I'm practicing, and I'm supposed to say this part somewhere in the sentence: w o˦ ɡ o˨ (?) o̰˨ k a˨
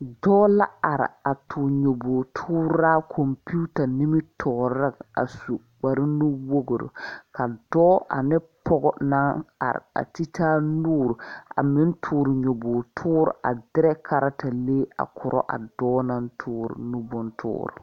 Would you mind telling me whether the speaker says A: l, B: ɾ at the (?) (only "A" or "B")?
B